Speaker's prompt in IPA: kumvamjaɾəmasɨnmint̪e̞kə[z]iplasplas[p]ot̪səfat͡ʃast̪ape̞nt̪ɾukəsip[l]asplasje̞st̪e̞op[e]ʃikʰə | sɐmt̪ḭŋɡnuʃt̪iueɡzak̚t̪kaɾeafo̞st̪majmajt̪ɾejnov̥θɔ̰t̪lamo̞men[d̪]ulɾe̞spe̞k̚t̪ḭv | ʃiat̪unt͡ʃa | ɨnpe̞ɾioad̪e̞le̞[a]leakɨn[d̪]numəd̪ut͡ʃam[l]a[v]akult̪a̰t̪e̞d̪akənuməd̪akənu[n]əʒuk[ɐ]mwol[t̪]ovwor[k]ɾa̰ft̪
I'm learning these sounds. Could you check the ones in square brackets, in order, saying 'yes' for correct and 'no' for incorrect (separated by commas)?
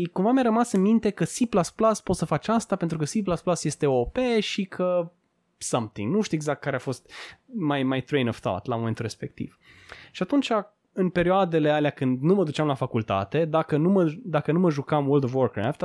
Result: no, yes, yes, yes, no, yes, yes, yes, no, no, no, no, yes